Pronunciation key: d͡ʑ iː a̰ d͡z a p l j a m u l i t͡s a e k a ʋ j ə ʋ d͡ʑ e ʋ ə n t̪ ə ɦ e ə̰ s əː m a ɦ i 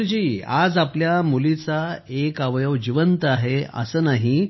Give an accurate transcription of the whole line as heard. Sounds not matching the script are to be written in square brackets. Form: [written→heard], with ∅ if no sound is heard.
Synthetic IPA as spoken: d͡ʑ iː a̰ d͡z a p l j a m u l i t͡s a e k a ʋ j ə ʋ d͡ʑ [e→i] ʋ ə n t̪ [ə→a] ɦ e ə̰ s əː [m→n] a ɦ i

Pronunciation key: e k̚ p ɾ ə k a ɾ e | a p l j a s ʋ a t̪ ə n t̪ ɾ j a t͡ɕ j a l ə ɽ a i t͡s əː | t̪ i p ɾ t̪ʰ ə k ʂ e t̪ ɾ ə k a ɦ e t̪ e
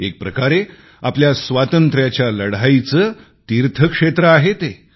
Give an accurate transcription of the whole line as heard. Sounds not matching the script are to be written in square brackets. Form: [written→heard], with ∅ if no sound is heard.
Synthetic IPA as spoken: e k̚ p ɾ ə k a ɾ e | a p l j a s ʋ a t̪ ə n t̪ ɾ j a t͡ɕ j a l ə ɽ a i t͡s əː | t̪ i [p→∅] ɾ t̪ʰ ə k ʂ e t̪ ɾ ə [k→∅] a ɦ e t̪ e

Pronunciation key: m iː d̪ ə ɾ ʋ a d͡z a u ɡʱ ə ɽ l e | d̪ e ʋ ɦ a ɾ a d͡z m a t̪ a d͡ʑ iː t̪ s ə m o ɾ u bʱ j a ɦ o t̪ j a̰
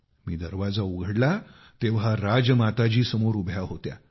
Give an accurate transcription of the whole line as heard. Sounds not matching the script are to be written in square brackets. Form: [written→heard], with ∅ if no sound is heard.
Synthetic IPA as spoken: m iː d̪ ə ɾ ʋ a d͡z a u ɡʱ ə ɽ l [e→a] | [d̪→t̪] e ʋ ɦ a ɾ a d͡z m a t̪ a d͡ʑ iː [t̪→∅] s ə m o ɾ u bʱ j a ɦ o t̪ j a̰

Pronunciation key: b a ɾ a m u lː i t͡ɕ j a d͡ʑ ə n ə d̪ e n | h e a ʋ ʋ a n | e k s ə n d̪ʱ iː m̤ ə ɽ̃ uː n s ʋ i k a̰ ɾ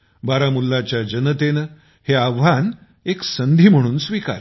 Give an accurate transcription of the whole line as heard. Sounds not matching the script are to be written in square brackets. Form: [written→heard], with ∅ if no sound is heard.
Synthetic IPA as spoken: b a ɾ a m u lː [i→a] t͡ɕ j a d͡ʑ ə n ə [d̪→t̪] e n | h e a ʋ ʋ a n | e k s ə n d̪ʱ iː m̤ ə ɽ̃ uː n s ʋ i k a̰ ɾ

